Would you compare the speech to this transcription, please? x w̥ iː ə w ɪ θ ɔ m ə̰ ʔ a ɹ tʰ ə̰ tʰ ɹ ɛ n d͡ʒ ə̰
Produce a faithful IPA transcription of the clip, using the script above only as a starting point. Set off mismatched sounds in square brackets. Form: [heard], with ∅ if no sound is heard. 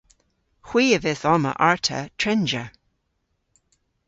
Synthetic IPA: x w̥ iː ə [v] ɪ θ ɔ m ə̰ ʔ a ɹ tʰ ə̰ tʰ ɹ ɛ n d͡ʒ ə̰